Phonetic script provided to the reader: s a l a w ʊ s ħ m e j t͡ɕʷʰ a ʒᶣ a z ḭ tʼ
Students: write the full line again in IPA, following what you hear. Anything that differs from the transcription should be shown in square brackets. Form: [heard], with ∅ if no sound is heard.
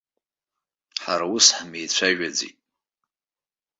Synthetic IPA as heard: [ħ] a [ɾ] a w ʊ s ħ m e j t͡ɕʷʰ a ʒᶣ a [d͡z] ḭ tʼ